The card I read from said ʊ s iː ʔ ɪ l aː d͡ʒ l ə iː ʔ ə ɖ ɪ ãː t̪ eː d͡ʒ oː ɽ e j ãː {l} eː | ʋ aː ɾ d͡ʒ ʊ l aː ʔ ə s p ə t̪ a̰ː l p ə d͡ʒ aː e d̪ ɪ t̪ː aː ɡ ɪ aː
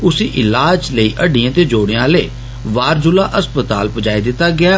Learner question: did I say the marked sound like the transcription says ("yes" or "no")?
yes